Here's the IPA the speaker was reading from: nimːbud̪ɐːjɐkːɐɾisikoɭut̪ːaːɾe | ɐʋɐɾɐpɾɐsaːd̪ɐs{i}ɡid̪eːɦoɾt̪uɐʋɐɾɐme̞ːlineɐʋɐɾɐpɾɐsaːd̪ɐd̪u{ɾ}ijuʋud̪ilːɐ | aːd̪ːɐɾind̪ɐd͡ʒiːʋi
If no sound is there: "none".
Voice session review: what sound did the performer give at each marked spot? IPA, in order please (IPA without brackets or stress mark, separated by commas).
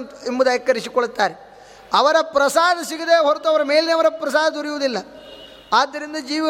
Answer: i, ɾ